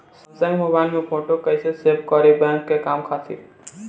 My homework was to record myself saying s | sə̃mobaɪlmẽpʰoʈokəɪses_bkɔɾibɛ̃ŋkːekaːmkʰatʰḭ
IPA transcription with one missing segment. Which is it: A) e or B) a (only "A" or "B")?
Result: A